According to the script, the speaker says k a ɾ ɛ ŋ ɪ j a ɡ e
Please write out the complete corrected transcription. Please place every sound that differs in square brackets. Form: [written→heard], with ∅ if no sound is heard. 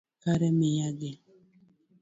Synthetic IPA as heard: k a ɾ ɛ [ŋ→m] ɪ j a ɡ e